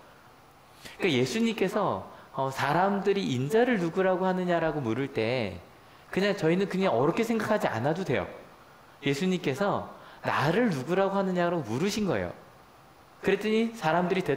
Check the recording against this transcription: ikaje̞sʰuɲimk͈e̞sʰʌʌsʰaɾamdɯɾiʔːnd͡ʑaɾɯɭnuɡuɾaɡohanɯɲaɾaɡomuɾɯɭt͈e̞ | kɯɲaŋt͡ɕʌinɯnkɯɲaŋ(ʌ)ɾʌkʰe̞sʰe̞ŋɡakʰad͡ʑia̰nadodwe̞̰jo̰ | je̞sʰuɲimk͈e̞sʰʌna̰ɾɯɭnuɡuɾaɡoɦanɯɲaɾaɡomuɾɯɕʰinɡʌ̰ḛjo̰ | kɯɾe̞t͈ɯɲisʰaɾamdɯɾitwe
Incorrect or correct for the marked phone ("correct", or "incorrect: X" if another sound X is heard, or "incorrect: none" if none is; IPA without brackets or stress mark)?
correct